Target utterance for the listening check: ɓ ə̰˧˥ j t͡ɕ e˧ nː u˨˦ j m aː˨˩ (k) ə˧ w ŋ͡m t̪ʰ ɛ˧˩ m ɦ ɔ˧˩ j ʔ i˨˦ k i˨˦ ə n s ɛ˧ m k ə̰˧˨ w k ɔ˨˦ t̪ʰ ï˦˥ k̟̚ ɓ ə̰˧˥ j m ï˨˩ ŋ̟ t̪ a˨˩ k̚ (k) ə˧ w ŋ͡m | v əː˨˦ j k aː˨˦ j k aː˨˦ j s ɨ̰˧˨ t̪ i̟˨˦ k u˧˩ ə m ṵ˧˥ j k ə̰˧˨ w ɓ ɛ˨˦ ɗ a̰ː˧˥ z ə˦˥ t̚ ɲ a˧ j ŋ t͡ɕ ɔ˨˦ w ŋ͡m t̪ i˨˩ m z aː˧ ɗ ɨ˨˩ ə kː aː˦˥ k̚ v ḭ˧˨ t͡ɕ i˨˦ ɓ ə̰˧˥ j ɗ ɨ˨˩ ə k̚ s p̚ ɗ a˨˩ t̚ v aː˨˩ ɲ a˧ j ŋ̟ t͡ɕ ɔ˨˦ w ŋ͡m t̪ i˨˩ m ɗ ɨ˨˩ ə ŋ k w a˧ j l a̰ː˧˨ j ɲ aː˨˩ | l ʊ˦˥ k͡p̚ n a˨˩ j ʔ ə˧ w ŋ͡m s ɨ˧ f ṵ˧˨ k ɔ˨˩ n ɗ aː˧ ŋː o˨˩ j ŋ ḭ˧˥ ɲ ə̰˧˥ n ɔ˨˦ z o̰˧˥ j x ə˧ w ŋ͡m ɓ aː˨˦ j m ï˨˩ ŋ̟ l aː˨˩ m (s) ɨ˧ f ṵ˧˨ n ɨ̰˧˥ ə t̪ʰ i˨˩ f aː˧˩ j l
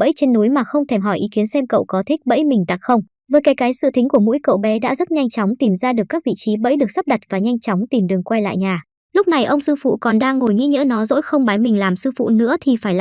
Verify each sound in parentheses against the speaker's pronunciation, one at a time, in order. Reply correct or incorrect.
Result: incorrect: x, incorrect: x, correct

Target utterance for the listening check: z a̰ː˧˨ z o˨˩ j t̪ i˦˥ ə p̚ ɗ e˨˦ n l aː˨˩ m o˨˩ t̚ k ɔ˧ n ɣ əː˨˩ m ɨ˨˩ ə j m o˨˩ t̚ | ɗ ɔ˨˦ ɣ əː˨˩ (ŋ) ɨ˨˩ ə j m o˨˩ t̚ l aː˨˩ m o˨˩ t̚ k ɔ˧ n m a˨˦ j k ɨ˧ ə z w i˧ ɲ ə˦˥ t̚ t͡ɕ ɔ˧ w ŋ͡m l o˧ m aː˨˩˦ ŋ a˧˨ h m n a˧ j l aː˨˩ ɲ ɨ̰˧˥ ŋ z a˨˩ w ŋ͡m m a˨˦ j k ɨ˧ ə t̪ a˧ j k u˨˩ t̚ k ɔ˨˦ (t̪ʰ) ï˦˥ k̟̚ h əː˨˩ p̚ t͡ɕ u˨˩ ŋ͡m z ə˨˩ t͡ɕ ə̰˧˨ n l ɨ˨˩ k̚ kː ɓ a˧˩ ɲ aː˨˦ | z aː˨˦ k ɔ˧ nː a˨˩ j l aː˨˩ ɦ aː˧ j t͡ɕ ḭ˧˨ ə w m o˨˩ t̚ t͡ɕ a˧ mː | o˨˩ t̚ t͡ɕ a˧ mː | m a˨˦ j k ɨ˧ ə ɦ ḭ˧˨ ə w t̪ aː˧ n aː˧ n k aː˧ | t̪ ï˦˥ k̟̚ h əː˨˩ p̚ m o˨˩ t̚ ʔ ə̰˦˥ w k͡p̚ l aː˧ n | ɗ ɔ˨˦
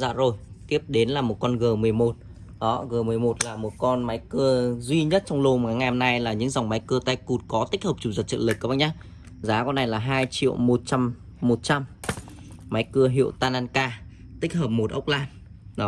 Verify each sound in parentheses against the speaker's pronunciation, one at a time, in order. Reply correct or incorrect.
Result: incorrect: m, incorrect: t̪

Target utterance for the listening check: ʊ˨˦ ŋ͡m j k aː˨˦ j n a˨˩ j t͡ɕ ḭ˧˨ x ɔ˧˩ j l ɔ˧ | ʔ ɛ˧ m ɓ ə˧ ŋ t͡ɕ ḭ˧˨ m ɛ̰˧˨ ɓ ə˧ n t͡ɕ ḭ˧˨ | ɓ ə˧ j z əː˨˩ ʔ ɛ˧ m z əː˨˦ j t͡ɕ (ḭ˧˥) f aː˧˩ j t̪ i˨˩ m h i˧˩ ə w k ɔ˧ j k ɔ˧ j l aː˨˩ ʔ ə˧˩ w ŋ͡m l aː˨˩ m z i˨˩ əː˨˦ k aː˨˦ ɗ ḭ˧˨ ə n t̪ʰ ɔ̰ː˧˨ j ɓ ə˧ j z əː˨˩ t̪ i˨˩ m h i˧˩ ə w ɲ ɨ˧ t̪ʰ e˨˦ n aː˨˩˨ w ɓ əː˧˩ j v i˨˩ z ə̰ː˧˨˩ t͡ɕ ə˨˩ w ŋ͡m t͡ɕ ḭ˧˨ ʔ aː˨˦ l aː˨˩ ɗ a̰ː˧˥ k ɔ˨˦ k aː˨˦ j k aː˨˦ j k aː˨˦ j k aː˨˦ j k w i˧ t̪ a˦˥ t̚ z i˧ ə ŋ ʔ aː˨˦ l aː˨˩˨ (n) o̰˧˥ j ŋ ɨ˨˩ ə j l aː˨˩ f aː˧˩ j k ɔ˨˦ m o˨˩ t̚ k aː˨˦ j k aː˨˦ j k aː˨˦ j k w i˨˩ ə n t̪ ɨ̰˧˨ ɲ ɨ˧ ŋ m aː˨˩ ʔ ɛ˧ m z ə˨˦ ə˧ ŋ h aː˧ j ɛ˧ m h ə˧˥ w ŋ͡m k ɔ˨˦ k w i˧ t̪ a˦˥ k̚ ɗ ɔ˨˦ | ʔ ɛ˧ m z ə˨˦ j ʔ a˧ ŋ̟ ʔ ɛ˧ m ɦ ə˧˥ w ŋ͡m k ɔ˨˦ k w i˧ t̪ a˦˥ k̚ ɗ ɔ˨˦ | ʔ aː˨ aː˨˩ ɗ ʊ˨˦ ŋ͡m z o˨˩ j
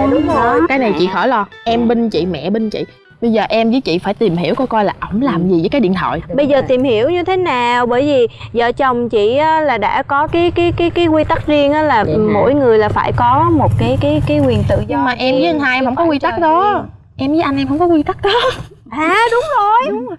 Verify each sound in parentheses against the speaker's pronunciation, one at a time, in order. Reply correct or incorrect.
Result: incorrect: ḭ˧˨, incorrect: m

